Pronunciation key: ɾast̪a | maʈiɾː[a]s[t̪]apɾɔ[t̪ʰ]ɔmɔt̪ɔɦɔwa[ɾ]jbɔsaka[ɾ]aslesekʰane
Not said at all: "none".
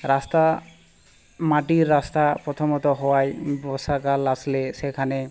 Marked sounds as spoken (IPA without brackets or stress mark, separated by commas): a, t̪, t̪ʰ, none, l